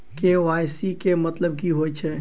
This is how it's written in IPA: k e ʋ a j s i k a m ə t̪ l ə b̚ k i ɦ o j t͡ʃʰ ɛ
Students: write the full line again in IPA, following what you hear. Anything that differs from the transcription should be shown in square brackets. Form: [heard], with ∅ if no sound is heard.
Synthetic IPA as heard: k e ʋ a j s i k [e] m ə t̪ l ə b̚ k i ɦ o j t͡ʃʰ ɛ